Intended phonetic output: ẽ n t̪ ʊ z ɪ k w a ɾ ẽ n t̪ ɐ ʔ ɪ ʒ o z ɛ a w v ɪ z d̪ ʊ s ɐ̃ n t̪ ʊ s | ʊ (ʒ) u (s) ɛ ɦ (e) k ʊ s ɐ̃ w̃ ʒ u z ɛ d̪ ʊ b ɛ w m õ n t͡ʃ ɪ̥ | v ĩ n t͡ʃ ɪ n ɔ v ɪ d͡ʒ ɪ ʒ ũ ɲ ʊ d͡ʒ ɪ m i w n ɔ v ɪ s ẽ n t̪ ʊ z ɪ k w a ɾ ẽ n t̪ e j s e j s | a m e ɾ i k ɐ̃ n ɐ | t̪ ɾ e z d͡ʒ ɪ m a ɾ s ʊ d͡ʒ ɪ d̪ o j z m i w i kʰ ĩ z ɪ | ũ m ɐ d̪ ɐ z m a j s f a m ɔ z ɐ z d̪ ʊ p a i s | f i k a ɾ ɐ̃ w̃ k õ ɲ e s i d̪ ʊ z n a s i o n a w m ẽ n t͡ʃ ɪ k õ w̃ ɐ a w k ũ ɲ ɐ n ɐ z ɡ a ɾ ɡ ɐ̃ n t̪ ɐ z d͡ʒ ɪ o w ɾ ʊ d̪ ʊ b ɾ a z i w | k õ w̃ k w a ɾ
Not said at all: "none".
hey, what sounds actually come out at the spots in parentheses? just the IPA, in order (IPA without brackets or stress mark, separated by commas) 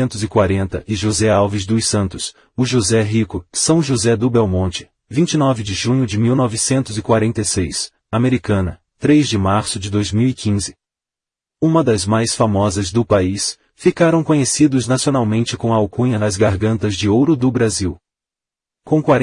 ʒ, z, i